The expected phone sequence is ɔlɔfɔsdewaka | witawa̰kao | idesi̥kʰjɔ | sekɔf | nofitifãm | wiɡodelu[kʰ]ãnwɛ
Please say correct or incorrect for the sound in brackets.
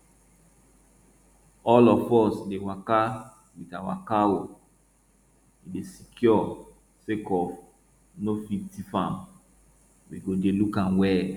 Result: incorrect